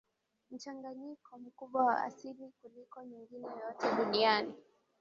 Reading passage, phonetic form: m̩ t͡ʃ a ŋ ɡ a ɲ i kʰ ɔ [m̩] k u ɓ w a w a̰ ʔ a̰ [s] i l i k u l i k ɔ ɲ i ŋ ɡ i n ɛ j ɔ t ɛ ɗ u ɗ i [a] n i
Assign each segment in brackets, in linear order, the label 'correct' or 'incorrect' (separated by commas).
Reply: correct, correct, correct